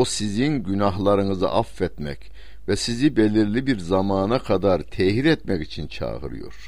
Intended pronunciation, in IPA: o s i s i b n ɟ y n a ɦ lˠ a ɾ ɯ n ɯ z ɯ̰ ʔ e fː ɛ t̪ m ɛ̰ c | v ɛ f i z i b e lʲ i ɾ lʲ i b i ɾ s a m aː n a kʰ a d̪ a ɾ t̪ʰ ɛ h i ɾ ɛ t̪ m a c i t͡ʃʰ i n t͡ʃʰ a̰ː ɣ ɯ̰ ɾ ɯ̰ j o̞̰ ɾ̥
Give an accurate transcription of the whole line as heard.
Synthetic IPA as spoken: o s i z i n ɟ y n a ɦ lˠ a ɾ ɯ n ɯ z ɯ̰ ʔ a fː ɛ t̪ m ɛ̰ c | v ɛ s i z i b e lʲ i ɾ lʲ i b i ɾ z a m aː n a kʰ a d̪ a ɾ t̪ʰ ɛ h i ɾ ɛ t̪ m ɛ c i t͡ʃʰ i n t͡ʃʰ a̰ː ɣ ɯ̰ ɾ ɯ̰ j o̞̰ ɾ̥